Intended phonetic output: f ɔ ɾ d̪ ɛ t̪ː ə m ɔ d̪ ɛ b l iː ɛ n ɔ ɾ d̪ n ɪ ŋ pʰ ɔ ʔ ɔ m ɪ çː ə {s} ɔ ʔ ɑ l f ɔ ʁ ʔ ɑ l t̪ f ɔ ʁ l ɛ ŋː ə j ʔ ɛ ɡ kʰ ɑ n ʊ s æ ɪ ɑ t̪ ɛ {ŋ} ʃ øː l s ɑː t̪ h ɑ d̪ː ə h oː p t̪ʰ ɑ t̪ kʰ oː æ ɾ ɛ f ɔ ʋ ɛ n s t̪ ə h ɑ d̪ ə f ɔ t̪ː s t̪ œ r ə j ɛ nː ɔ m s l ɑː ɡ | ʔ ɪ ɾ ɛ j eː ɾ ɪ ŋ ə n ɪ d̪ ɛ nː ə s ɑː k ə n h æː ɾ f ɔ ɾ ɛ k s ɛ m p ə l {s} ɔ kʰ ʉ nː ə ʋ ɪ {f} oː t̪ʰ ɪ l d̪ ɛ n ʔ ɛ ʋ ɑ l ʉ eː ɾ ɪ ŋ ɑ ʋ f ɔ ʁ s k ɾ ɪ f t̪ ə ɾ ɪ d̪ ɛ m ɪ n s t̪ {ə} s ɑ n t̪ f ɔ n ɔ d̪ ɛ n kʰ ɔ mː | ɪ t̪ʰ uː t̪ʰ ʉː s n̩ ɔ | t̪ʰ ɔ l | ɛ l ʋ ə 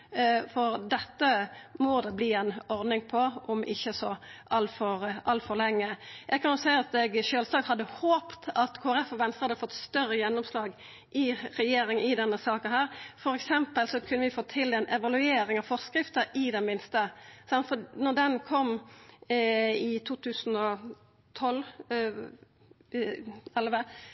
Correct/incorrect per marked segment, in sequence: correct, incorrect: ɡ, correct, correct, correct

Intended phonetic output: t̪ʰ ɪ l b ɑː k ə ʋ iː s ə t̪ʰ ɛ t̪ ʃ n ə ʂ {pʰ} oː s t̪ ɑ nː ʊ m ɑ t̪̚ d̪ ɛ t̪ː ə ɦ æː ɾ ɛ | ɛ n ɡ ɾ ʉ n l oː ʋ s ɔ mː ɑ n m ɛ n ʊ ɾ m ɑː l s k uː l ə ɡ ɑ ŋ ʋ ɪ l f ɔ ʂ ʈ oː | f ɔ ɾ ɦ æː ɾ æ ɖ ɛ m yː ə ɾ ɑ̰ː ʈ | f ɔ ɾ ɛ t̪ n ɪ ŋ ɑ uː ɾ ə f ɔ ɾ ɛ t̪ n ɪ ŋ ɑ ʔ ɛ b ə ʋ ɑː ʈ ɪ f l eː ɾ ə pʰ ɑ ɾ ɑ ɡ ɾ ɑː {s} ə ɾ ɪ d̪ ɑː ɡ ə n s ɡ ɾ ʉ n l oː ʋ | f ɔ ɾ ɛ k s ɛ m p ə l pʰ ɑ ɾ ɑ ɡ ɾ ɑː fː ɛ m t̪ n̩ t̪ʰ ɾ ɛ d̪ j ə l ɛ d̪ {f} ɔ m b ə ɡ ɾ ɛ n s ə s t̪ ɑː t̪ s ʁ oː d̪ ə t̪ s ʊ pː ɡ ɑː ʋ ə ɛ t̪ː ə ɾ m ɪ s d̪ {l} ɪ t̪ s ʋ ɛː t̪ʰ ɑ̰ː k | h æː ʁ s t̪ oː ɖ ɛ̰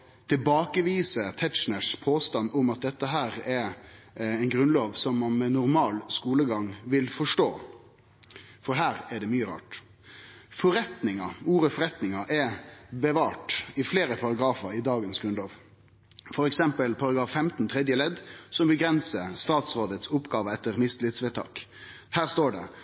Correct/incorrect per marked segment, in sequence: correct, incorrect: f, incorrect: s, correct

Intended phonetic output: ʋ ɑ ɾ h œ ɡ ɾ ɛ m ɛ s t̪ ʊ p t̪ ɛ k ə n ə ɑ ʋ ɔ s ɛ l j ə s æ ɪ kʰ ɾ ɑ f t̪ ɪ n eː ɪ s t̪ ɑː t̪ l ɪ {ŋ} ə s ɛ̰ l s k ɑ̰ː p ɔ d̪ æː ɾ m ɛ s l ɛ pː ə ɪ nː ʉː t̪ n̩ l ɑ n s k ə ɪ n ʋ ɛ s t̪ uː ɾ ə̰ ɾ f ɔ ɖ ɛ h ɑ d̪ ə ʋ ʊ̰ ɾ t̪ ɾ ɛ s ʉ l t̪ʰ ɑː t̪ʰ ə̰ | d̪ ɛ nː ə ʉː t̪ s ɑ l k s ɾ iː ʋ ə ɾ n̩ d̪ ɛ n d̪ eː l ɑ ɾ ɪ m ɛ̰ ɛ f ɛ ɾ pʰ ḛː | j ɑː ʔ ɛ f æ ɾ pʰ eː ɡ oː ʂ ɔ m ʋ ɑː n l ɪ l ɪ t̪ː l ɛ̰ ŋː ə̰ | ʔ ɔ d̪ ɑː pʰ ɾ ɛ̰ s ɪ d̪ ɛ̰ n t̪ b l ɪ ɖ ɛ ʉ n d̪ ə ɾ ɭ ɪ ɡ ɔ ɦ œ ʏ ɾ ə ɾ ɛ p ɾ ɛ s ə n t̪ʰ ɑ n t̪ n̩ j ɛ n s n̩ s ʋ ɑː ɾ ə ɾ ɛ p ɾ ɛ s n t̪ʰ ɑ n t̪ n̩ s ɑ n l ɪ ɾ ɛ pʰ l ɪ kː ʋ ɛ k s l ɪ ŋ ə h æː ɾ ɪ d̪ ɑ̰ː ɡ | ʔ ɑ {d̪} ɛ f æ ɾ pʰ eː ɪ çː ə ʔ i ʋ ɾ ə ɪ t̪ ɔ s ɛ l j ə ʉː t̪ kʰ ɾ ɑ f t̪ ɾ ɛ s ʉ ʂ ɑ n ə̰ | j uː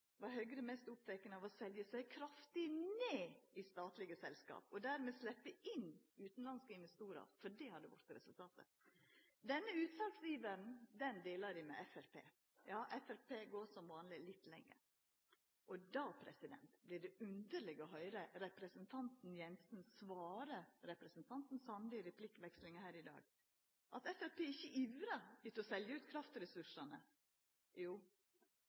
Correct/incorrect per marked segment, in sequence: incorrect: ɡ, incorrect: t̪

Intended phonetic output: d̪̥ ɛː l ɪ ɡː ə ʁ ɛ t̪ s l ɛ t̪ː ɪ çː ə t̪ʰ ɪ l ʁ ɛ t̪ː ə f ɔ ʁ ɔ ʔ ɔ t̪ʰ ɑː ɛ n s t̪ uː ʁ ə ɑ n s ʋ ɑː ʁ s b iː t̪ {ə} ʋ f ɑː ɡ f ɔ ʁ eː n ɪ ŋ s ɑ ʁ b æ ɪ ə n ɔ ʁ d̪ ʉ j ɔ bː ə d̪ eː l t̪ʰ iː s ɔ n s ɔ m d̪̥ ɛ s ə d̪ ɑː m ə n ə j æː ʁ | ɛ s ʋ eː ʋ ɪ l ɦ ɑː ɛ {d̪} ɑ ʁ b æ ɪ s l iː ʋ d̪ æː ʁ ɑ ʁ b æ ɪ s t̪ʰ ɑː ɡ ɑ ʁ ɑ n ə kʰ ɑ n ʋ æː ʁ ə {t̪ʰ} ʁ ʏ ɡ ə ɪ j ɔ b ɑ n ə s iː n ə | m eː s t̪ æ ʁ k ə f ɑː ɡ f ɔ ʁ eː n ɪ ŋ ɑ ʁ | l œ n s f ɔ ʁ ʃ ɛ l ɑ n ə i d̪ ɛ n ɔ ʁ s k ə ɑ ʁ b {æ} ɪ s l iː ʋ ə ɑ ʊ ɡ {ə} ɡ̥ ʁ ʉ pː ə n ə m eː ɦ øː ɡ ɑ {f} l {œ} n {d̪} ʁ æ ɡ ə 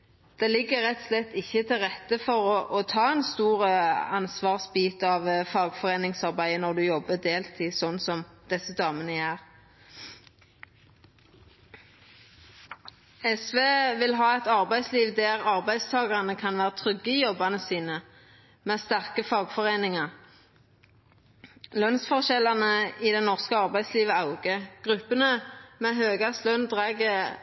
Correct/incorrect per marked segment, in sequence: incorrect: ɑ, incorrect: t̪, correct, correct, correct, incorrect: s, correct, correct

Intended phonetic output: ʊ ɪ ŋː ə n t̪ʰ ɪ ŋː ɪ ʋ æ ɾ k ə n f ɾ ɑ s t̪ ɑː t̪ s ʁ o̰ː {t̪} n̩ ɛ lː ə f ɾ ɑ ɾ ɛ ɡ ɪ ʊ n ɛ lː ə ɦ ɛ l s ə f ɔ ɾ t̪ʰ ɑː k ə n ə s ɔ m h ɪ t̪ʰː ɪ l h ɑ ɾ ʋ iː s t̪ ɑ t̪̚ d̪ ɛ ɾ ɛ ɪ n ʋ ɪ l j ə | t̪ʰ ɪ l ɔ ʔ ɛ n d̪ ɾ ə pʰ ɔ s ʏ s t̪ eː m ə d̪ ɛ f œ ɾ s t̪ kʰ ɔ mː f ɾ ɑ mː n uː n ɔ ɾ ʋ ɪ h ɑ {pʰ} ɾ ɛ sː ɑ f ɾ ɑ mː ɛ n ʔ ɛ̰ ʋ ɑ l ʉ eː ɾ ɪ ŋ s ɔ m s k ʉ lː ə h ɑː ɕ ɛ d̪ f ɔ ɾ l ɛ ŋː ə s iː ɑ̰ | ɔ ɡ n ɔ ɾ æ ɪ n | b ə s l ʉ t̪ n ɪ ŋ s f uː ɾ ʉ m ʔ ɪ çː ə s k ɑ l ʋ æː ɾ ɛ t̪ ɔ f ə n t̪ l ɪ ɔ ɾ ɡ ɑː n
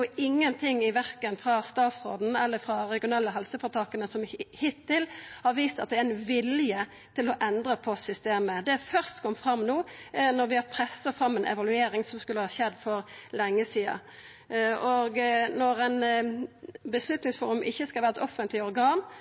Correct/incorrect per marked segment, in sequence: incorrect: d̪, correct

